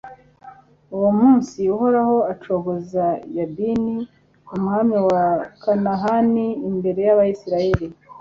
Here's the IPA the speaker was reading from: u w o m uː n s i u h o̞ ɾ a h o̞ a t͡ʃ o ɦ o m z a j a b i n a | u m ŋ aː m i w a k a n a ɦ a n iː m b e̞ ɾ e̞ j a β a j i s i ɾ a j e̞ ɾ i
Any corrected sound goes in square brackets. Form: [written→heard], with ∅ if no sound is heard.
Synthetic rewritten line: u w o m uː n s i u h o̞ ɾ a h o̞ a t͡ʃ o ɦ o [m→∅] z a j a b i n [a→i] | u m ŋ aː m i w a k a n a ɦ a n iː m b e̞ ɾ e̞ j a β a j i s i ɾ a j e̞ ɾ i